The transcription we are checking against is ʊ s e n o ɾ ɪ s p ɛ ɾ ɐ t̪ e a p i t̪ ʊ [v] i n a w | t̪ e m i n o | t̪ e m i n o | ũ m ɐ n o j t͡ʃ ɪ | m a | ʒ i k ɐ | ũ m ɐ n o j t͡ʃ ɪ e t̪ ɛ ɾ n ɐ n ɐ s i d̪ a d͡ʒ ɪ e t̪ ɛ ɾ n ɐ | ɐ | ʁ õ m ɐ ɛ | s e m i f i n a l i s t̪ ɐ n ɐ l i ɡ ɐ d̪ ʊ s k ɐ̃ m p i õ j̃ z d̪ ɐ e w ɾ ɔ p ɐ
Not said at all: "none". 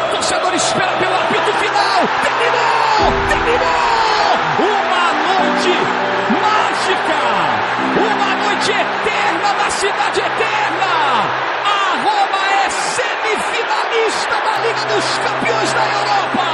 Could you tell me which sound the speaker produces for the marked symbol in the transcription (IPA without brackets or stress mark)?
f